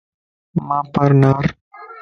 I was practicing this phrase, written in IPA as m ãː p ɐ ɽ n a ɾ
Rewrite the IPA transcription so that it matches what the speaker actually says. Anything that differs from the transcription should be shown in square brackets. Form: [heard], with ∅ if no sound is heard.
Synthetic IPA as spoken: m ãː p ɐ [ɾ] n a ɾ